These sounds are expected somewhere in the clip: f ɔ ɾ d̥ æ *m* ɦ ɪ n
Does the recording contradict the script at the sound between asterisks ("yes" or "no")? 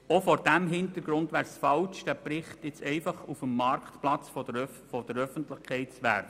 no